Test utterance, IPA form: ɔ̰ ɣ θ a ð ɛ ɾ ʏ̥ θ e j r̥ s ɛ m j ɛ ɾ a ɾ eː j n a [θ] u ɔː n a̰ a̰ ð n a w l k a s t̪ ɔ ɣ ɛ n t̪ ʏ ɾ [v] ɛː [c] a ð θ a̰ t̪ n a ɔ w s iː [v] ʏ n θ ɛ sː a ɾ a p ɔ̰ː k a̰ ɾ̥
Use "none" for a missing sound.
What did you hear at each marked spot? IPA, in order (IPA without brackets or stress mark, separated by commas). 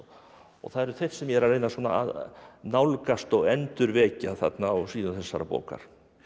s, v, c, ð